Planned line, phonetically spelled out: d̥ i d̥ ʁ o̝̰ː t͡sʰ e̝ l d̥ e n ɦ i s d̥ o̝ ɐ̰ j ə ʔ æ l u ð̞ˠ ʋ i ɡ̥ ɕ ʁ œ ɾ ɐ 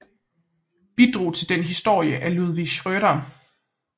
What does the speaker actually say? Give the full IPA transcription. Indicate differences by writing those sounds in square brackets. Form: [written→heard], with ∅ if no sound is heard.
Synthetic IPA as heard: [d̥→b̥] i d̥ ʁ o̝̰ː t͡sʰ e̝ l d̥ e n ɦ i s d̥ o̝ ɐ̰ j ə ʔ æ l u ð̞ˠ ʋ i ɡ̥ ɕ ʁ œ ɾ ɐ

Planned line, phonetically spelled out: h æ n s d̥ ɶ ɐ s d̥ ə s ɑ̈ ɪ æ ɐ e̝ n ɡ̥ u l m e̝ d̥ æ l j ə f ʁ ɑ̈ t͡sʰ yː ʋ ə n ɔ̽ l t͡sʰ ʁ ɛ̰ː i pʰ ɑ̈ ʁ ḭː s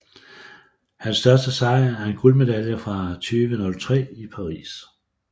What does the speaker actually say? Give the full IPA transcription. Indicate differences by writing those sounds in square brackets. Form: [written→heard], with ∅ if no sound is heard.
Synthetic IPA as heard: h æ n s d̥ ɶ ɐ s d̥ ə s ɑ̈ ɪ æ ɐ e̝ n ɡ̥ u l m e̝ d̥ æ l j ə f ʁ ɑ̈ t͡sʰ yː ʋ ə n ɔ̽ l t͡sʰ ʁ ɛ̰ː i pʰ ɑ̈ ʁ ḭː s

